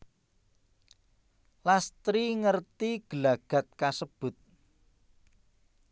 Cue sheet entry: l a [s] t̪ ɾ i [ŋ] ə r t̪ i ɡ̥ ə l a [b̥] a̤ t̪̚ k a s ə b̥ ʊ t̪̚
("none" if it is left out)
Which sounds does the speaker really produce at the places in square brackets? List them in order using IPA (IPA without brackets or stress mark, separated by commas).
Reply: s, ŋ, ɡ̥